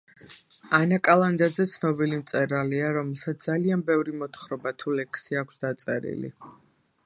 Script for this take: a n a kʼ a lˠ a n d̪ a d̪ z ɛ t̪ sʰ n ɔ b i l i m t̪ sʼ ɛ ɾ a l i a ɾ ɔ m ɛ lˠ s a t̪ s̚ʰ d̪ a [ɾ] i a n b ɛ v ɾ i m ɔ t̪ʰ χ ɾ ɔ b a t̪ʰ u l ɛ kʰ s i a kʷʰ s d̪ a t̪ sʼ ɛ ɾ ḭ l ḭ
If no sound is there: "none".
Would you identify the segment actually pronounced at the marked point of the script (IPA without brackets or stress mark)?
l